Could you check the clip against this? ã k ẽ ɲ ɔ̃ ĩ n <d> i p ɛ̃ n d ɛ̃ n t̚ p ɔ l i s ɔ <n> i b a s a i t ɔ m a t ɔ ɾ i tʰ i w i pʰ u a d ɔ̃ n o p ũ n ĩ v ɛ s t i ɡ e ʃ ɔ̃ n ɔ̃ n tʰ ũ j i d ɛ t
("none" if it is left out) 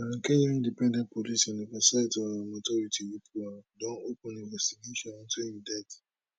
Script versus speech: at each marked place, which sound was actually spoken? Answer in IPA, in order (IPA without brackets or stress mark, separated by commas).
d, n